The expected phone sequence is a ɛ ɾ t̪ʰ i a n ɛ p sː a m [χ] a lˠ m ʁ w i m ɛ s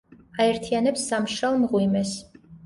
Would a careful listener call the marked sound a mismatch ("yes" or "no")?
yes